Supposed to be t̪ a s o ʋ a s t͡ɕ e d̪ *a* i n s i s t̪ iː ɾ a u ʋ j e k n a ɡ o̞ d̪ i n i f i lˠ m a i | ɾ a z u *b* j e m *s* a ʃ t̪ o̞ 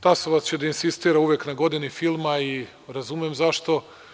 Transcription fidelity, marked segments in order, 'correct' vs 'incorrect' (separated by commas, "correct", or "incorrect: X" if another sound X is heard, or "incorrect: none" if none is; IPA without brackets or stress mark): correct, incorrect: m, incorrect: z